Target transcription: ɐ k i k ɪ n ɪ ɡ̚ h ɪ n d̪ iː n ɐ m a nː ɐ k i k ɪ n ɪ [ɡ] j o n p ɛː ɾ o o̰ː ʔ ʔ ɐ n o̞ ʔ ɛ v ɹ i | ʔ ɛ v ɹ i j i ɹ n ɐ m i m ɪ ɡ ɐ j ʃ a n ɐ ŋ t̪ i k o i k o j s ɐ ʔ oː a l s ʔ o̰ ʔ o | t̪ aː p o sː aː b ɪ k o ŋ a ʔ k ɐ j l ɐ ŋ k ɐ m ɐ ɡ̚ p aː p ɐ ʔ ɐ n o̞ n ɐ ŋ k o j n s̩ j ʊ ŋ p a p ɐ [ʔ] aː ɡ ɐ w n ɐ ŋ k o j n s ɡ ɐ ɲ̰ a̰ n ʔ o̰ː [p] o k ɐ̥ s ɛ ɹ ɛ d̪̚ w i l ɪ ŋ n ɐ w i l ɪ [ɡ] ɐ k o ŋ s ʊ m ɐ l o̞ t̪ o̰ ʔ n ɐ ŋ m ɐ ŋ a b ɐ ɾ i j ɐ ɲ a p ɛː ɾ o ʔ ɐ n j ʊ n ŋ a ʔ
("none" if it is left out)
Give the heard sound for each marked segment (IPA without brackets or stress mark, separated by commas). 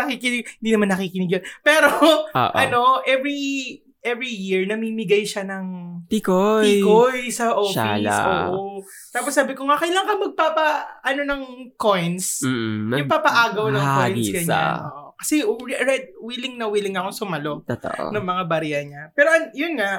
ɡ, ʔ, ʔ, ŋ